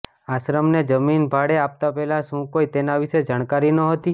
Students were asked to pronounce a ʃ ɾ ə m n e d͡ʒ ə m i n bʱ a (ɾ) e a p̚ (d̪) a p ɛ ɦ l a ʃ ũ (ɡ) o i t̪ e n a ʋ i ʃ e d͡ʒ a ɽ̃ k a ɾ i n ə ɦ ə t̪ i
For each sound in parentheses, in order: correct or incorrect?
incorrect, incorrect, incorrect

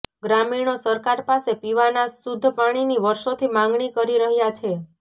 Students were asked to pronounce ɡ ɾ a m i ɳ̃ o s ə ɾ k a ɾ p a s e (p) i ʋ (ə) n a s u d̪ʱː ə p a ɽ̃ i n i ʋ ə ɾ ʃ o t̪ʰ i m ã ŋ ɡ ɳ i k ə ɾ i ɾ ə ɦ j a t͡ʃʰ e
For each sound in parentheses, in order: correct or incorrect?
correct, incorrect

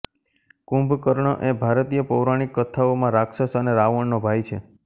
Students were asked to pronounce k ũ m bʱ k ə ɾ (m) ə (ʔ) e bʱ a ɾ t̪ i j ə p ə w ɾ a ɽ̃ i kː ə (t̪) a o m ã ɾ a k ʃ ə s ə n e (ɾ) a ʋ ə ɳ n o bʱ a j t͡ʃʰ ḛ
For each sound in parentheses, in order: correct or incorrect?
incorrect, correct, incorrect, correct

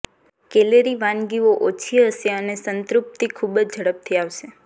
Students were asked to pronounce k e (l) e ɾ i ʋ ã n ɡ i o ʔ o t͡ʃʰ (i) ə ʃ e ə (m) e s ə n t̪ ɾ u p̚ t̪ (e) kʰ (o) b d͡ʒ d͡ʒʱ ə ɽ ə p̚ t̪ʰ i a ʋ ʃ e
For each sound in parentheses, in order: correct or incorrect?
correct, correct, incorrect, incorrect, incorrect

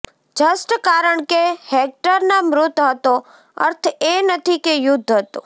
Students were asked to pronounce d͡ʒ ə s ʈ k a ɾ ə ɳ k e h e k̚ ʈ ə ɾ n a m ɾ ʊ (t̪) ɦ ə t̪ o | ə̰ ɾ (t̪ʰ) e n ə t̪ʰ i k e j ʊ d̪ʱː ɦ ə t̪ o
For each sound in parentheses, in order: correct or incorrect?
correct, correct

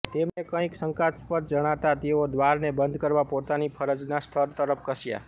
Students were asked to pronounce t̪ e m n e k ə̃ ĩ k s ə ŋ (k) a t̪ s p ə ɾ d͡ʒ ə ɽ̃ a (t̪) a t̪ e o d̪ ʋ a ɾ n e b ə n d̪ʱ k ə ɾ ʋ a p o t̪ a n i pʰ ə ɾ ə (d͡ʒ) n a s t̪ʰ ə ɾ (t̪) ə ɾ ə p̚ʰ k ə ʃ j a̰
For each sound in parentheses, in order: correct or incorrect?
correct, correct, correct, correct

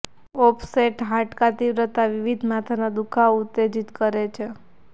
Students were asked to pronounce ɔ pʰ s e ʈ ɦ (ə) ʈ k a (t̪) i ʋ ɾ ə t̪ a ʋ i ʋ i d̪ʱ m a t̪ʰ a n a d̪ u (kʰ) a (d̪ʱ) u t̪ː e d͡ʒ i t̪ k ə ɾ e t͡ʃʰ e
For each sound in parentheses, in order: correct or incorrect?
incorrect, correct, correct, incorrect

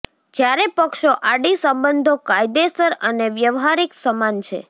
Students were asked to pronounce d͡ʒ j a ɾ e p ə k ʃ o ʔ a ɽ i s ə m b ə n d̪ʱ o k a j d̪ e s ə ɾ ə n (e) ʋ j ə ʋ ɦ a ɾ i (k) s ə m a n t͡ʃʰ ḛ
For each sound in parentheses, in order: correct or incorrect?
correct, correct

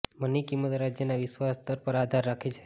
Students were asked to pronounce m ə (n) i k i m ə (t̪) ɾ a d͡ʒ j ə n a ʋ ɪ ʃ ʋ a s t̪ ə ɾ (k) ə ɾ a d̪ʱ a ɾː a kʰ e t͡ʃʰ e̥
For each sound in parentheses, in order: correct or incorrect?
correct, correct, incorrect

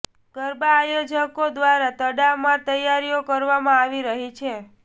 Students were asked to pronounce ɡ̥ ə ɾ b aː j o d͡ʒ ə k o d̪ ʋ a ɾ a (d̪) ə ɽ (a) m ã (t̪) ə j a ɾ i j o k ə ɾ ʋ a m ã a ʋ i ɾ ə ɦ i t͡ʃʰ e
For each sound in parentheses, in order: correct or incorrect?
incorrect, correct, correct

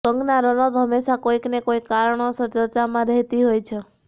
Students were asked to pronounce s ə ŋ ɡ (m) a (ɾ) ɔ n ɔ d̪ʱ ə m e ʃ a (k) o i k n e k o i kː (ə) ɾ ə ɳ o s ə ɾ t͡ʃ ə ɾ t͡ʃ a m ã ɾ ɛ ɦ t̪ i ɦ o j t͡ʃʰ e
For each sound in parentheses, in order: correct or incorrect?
incorrect, correct, correct, incorrect

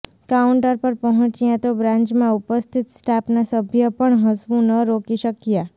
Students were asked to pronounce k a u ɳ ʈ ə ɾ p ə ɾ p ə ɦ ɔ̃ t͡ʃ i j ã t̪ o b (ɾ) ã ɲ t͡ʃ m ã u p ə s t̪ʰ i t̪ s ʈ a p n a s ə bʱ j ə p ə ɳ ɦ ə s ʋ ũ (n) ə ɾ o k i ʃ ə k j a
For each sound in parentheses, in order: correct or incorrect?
correct, correct

